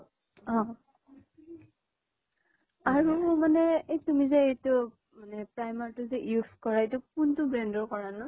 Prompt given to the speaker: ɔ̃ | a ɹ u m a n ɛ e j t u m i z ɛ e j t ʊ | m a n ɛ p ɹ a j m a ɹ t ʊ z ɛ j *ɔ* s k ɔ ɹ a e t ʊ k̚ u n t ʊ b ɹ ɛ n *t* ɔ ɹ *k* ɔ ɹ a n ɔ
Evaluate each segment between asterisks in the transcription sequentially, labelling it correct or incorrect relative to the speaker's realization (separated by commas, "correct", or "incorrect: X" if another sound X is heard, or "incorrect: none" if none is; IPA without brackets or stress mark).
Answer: incorrect: u, incorrect: d, correct